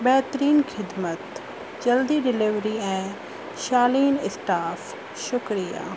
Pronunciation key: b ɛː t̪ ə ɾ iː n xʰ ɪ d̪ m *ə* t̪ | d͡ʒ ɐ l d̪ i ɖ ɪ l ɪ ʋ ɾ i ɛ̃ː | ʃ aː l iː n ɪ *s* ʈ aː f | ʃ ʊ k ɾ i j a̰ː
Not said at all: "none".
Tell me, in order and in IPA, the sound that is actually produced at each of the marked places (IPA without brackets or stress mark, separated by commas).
ə, s